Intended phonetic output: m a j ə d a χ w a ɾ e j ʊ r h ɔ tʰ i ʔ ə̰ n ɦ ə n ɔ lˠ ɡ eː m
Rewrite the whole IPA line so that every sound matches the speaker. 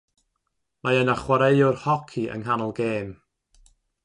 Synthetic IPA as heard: m a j ə n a χ w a ɾ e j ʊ r h ɔ kʰ i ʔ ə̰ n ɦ a n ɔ lˠ ɡ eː m